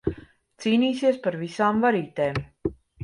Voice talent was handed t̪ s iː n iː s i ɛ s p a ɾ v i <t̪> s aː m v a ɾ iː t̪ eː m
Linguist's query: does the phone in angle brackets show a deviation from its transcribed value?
yes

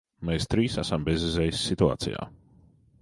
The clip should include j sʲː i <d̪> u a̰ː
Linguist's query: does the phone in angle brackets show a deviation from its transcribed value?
yes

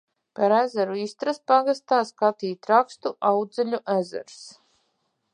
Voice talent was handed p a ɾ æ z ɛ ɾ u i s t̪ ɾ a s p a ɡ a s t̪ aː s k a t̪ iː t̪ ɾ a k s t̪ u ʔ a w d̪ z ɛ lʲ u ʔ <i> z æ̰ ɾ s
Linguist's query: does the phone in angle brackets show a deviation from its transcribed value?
yes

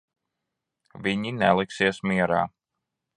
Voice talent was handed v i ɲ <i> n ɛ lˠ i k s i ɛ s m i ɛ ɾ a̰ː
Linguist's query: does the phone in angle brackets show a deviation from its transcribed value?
no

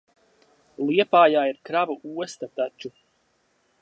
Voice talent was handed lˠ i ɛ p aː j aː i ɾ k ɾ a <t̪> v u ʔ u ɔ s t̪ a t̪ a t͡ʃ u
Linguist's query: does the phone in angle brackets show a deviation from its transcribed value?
yes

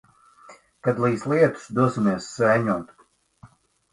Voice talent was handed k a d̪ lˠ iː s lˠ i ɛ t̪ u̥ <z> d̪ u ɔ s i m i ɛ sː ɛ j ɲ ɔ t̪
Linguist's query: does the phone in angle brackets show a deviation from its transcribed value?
yes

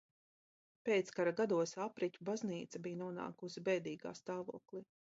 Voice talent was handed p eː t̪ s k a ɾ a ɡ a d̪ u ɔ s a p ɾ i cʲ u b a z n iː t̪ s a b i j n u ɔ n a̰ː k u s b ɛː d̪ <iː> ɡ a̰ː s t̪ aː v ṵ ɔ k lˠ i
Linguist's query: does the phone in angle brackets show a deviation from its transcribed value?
no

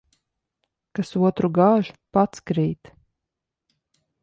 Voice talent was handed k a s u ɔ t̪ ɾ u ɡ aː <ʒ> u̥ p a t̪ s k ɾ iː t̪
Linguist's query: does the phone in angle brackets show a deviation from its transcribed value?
no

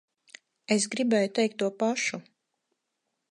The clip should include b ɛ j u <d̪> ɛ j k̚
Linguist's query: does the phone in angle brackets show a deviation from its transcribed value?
yes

